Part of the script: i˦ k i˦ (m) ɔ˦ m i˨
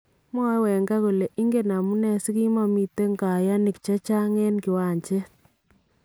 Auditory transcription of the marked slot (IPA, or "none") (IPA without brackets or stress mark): m